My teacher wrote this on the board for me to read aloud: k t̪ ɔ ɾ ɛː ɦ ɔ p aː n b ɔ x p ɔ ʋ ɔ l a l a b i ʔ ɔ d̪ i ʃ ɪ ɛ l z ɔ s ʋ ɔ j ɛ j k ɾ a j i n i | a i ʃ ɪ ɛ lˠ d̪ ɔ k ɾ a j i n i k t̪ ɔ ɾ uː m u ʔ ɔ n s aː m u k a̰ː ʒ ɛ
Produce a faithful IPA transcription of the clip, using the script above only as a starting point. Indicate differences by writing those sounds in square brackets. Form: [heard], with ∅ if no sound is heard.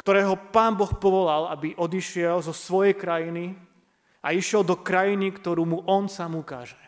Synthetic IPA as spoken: k t̪ ɔ ɾ ɛː ɦ ɔ p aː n b ɔ x p ɔ ʋ ɔ l a l a b i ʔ ɔ d̪ i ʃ ɪ ɛ l z ɔ s ʋ ɔ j ɛ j k ɾ a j i n i | a i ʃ ɪ ɛ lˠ d̪ ɔ k ɾ a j i n i k t̪ ɔ ɾ uː m u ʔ ɔ n s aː m u k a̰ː ʒ ɛ